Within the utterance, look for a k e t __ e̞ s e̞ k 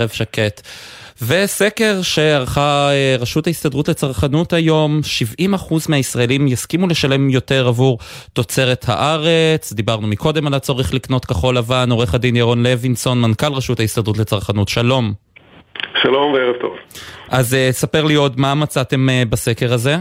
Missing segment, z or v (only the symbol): v